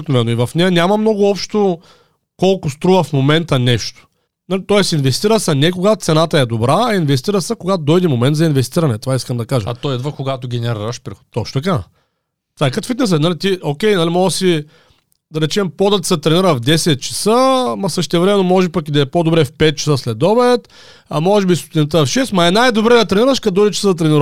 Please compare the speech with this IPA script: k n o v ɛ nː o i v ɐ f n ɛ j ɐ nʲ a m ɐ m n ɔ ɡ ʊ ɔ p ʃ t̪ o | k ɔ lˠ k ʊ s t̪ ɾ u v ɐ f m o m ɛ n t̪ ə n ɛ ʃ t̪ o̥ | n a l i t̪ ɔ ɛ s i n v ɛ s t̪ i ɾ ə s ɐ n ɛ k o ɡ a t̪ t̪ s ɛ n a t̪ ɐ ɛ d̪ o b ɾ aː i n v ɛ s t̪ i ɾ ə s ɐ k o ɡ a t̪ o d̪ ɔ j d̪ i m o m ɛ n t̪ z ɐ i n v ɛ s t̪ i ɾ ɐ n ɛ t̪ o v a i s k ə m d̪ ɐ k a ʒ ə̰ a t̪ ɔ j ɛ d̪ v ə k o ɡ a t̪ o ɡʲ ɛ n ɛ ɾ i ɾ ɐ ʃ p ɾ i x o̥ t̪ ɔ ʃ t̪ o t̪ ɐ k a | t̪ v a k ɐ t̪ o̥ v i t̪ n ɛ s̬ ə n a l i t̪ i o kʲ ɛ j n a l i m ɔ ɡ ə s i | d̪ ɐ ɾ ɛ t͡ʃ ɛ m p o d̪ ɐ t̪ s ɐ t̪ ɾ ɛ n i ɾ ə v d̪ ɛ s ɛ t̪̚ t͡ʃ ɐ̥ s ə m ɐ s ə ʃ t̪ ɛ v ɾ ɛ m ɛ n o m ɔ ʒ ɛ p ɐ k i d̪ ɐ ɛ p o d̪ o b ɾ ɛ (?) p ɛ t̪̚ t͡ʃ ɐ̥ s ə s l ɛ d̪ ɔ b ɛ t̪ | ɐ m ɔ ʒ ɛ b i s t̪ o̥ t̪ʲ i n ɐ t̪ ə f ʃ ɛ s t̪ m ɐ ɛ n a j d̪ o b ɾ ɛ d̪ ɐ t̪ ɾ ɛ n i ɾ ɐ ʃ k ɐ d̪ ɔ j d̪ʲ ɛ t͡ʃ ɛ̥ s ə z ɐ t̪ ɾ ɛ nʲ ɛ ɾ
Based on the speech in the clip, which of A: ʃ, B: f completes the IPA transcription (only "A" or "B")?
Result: B